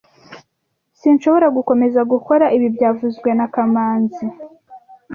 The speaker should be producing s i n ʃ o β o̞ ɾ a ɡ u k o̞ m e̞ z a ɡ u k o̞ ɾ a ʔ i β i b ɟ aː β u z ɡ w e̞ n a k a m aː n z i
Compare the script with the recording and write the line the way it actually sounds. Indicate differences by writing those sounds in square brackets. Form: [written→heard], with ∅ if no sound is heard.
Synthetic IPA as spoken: s i n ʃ o β o̞ ɾ a ɡ u k o̞ m e̞ z a ɡ u k o̞ ɾ a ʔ i β i b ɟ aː [β→v] u z ɡ w e̞ n a k a m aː n z i